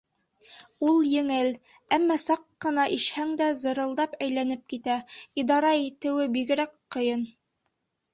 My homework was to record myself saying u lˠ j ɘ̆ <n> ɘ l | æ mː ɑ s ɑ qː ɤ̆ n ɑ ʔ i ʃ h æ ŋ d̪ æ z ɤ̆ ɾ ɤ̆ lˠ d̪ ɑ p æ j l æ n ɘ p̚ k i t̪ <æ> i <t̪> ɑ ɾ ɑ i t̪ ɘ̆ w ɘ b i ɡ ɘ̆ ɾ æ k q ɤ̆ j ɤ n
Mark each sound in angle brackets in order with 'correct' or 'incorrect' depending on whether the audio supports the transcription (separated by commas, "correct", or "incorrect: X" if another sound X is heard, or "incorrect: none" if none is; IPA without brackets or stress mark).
incorrect: ŋ, correct, incorrect: d̪